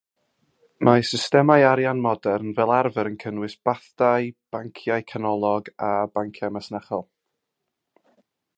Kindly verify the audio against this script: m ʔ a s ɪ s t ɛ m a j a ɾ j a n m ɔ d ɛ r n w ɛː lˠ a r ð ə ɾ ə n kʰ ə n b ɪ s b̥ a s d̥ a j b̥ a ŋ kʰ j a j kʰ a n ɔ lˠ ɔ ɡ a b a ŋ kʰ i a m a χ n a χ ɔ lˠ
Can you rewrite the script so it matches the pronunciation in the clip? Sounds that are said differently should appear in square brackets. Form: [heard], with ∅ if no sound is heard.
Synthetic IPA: m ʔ a s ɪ s t ɛ m a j a ɾ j a n m ɔ d ɛ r n [v] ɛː lˠ a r [v] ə ɾ ə n kʰ ə n [w] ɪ s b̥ a [θ] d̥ a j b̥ a ŋ kʰ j a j kʰ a n ɔ lˠ ɔ ɡ a b a ŋ kʰ [j] a m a [s] n a χ ɔ lˠ

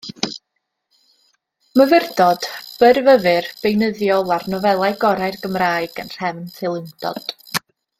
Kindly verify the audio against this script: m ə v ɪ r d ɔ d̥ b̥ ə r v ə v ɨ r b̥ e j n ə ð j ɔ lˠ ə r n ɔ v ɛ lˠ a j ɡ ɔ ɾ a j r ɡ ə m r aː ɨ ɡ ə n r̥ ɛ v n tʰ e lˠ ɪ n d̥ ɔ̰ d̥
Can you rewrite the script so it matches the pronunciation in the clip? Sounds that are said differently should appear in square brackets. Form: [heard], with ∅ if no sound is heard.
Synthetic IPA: m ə v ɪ r d ɔ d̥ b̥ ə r v ə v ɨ r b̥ e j n ə ð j ɔ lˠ [a] r n ɔ v ɛ lˠ a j ɡ ɔ ɾ a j r ɡ ə m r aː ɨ ɡ ə n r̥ ɛ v n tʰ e lˠ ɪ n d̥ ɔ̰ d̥

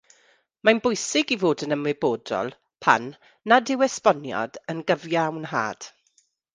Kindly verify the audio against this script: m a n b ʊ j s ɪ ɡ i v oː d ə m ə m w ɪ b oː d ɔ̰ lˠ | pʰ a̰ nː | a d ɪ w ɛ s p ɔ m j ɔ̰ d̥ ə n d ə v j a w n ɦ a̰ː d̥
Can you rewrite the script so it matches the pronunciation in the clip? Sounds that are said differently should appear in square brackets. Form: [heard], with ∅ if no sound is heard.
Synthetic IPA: m a n b ʊ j s ɪ ɡ i v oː d ə [n] ə m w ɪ b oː d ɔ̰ lˠ | pʰ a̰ nː | a d ɪ w ɛ s p ɔ [n] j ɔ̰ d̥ ə n [ɡ] ə v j a w n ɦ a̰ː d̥

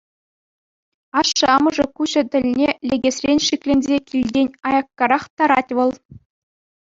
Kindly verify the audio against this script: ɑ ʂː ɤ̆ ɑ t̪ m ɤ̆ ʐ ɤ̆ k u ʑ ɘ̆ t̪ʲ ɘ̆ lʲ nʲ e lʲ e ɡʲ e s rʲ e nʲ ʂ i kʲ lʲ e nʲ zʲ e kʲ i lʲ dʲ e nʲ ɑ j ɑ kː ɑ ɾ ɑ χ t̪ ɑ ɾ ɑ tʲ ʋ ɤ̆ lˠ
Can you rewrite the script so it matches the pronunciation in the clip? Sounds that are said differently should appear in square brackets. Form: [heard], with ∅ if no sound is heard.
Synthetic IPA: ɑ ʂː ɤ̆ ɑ [∅] m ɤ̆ ʐ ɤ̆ k u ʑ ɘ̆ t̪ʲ ɘ̆ lʲ nʲ e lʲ e ɡʲ e s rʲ e nʲ ʂ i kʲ lʲ e nʲ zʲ e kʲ i lʲ dʲ e nʲ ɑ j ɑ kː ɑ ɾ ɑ χ t̪ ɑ ɾ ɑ tʲ ʋ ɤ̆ lˠ

